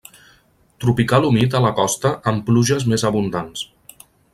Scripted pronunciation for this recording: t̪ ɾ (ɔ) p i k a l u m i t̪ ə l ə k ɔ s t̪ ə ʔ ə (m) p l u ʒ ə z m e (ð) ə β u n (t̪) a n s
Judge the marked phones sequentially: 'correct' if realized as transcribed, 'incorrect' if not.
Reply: incorrect: u, correct, incorrect: z, incorrect: d̪

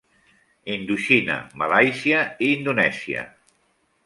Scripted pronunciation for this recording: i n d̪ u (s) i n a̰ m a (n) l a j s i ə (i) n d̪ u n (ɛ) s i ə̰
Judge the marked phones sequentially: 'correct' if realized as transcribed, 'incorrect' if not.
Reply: incorrect: ʃ, incorrect: none, incorrect: iː, correct

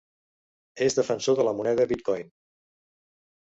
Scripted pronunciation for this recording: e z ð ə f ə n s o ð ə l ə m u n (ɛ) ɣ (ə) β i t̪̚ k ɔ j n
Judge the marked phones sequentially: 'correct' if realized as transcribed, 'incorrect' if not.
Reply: correct, correct

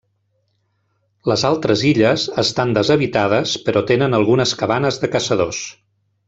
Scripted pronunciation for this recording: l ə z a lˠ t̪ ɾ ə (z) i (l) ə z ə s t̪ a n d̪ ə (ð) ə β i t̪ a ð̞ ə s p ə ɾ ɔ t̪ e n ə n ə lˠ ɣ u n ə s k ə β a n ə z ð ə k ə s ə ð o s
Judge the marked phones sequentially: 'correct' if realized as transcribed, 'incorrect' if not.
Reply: correct, incorrect: ʎ, incorrect: z

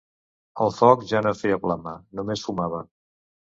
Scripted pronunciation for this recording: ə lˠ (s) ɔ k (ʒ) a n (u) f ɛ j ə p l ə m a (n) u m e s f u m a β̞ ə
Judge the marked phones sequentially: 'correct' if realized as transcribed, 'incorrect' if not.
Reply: incorrect: f, correct, incorrect: o, correct

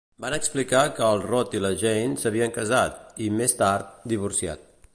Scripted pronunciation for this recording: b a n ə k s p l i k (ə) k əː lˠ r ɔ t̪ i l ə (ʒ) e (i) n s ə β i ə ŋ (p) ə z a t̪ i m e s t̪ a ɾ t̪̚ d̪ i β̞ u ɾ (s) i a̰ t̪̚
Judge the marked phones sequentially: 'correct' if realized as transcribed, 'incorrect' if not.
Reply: incorrect: a, correct, incorrect: j, incorrect: k, correct

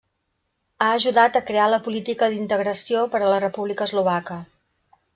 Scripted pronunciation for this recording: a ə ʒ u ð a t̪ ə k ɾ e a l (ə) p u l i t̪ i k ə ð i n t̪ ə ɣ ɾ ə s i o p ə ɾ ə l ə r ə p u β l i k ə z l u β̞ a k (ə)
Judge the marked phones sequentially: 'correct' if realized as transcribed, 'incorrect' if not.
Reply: correct, correct

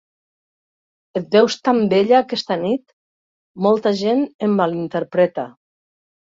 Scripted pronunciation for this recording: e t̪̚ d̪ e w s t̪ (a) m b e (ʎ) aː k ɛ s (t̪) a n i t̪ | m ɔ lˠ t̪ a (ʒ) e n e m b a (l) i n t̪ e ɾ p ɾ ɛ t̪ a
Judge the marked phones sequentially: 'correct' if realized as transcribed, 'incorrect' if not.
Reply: correct, correct, correct, correct, correct

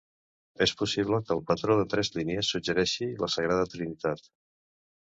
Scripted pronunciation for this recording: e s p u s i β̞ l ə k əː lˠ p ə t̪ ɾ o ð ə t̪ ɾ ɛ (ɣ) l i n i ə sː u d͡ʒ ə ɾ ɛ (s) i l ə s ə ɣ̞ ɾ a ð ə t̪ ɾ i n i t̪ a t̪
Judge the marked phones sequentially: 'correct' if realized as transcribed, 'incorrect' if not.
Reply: incorrect: z, incorrect: ʃ

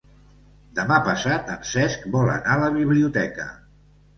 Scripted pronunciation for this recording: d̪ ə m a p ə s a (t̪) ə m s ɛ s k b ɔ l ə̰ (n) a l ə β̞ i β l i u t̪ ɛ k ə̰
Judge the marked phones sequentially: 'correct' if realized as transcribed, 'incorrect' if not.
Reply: correct, correct

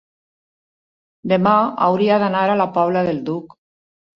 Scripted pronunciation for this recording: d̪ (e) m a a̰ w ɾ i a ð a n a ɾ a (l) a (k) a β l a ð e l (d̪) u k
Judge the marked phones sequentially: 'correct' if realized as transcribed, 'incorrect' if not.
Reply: correct, correct, incorrect: p, correct

